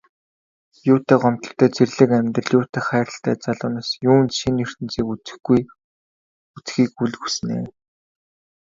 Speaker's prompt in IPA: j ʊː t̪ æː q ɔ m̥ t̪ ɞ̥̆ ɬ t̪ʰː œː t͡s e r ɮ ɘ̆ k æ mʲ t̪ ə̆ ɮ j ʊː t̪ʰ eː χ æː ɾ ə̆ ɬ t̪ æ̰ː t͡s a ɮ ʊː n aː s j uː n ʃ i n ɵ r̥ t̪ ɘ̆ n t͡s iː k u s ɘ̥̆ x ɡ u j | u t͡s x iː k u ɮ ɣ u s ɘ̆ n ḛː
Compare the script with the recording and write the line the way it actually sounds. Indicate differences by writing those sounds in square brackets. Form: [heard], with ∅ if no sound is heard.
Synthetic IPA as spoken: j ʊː t̪ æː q ɔ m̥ t̪ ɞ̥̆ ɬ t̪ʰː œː t͡s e r ɮ ɘ̆ k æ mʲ t̪ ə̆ ɮ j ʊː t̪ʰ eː χ æː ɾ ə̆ ɬ t̪ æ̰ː t͡s a ɮ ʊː n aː s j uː n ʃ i n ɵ r̥ t̪ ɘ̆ n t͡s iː k u [t͡s] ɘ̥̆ x ɡ u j | u t͡s x iː k u ɮ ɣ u s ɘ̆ n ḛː

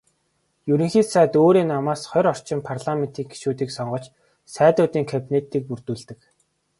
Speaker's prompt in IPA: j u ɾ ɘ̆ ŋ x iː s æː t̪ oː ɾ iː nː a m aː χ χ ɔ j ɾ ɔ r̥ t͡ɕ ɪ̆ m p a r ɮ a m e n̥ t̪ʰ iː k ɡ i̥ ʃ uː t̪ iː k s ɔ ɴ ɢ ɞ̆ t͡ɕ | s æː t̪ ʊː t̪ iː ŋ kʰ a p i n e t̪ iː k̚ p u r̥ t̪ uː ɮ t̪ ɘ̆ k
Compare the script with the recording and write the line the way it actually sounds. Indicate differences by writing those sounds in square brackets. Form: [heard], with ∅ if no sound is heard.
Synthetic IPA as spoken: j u ɾ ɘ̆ ŋ x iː s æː t̪ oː ɾ iː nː a m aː [s] χ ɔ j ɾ ɔ r̥ t͡ɕ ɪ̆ m [pʰ] a r ɮ a m e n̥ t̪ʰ iː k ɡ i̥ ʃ uː t̪ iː k s ɔ ɴ ɢ ɞ̆ t͡ɕ | s æː t̪ ʊː t̪ iː ŋ kʰ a p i n e t̪ iː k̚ p u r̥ t̪ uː ɮ t̪ ɘ̆ k

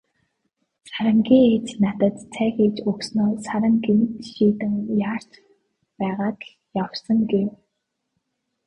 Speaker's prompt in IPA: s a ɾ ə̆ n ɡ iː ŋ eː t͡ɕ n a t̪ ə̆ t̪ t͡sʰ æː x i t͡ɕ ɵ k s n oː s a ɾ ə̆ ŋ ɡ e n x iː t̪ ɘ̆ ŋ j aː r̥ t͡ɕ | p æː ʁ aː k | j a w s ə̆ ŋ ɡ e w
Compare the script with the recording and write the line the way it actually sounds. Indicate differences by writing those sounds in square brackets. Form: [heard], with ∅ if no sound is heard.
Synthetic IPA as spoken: s a ɾ ə̆ [ŋ] ɡ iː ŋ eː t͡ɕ n a t̪ ə̆ t̪ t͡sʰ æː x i t͡ɕ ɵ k s n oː s a ɾ ə̆ ŋ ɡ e n [ʃ] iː t̪ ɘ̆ ŋ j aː r̥ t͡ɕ | p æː ʁ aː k | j a w s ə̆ ŋ ɡ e w

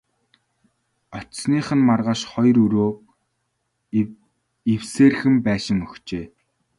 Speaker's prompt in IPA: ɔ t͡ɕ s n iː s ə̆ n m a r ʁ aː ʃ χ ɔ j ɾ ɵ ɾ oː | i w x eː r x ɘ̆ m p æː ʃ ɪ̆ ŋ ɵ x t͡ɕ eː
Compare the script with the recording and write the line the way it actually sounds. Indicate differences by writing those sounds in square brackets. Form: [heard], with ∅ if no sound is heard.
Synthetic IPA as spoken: ɔ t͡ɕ s n iː [χ] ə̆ n m a r ʁ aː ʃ χ ɔ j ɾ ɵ ɾ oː | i w [s] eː r x ɘ̆ m p æː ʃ ɪ̆ ŋ ɵ x t͡ɕ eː

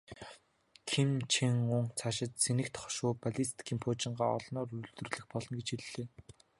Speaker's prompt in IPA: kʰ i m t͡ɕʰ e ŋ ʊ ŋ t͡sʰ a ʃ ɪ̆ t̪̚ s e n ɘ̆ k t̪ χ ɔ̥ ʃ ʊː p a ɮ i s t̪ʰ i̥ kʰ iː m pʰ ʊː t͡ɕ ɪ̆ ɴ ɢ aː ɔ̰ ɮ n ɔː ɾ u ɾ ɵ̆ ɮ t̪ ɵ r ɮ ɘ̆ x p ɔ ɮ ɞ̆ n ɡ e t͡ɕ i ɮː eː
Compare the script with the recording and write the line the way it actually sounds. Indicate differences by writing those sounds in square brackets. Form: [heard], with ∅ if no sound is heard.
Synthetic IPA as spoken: kʰ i m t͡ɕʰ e ŋ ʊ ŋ t͡sʰ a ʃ ɪ̆ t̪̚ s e n ɘ̆ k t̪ χ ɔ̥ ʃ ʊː p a ɮ i s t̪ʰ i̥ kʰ iː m pʰ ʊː t͡ɕ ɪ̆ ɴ ɢ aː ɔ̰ ɮ n ɔː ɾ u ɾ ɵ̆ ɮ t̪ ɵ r ɮ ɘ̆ x p ɔ ɮ ɞ̆ n ɡ e t͡ɕ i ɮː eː

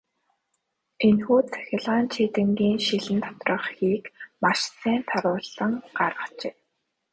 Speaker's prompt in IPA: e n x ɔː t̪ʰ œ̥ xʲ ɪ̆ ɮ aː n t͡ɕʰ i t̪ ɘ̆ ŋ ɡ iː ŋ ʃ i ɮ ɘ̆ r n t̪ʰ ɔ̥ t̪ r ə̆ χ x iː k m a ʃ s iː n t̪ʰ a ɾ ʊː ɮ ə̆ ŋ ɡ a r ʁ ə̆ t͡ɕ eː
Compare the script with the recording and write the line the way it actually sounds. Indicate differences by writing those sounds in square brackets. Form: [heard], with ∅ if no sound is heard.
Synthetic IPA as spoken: e n x [uː] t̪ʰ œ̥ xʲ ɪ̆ ɮ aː n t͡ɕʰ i t̪ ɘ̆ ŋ ɡ iː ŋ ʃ i ɮ ɘ̆ [∅] n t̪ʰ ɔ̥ t̪ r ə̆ χ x iː k m a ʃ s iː n t̪ʰ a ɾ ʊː ɮ ə̆ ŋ [ɢ] a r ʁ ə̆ t͡ɕ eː

